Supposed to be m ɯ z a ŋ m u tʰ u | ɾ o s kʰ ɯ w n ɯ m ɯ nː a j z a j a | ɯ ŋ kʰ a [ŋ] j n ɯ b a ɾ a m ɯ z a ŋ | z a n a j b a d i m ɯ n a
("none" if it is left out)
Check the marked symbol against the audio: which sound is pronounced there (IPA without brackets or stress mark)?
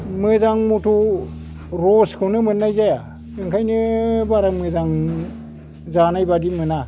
none